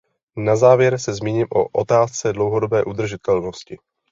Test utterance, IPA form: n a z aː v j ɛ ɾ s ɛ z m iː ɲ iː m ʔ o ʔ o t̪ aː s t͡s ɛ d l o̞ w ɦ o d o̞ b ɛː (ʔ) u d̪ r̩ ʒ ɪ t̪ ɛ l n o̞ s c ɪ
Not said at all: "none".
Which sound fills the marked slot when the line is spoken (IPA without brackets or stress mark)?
ʔ